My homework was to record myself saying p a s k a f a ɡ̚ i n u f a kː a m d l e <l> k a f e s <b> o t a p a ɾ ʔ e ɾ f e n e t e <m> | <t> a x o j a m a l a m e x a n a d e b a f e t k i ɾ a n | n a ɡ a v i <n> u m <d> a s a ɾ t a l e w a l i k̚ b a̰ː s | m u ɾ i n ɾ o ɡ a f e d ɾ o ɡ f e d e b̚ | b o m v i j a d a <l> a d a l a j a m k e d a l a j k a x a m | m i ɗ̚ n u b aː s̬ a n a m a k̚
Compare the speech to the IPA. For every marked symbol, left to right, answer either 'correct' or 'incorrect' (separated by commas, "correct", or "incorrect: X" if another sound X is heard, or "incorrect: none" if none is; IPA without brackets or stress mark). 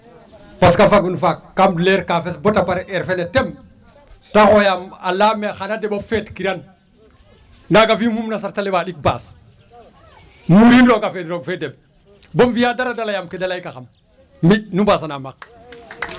incorrect: ɾ, correct, correct, correct, incorrect: m, incorrect: n, incorrect: ɾ